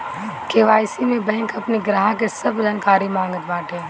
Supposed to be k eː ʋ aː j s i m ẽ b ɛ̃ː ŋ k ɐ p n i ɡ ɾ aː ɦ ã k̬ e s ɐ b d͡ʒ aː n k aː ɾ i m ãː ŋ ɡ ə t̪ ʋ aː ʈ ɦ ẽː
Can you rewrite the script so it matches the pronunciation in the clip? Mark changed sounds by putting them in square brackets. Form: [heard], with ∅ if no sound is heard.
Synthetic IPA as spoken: k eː ʋ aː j s i m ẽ b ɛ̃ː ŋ k ɐ p n i ɡ ɾ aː ɦ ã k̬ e s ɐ b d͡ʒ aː n k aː ɾ i m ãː ŋ ɡ ə t̪ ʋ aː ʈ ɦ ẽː